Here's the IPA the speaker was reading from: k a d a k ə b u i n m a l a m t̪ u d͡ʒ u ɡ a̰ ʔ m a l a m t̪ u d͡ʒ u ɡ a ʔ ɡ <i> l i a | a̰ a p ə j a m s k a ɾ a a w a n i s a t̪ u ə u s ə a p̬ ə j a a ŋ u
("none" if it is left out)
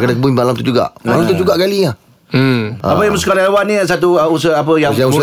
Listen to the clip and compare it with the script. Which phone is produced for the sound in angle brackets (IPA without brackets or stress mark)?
a